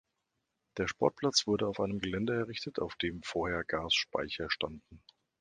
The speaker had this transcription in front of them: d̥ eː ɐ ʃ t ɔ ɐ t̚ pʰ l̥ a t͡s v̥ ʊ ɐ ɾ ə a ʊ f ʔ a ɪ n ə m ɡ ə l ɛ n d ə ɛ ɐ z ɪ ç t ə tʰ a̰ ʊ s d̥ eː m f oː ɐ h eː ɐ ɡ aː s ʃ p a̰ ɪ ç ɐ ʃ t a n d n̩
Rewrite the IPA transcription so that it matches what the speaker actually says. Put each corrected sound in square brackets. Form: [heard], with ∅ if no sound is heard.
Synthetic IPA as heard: d̥ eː ɐ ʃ [p] ɔ ɐ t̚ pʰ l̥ a t͡s v̥ ʊ ɐ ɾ ə a ʊ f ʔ a ɪ n ə m ɡ ə l ɛ n d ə ɛ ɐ [ʁ] ɪ ç t ə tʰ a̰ ʊ [f] d̥ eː m f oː ɐ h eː ɐ ɡ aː s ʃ p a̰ ɪ ç ɐ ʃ t a n d n̩